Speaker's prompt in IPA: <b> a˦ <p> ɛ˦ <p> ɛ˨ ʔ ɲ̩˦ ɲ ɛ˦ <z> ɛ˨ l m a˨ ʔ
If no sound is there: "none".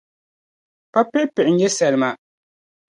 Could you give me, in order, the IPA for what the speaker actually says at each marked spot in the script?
p, p, p, s

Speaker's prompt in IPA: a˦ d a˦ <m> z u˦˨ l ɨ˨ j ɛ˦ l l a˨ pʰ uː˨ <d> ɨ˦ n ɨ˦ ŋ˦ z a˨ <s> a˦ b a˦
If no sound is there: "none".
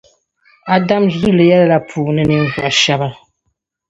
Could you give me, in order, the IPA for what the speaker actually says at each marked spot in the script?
m, n, ʃ

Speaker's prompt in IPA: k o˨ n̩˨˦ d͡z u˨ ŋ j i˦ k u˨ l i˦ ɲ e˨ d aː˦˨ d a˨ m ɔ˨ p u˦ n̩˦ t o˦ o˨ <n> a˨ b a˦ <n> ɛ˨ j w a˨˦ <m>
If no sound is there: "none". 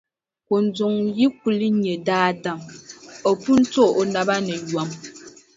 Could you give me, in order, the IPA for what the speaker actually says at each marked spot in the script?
n, n, m

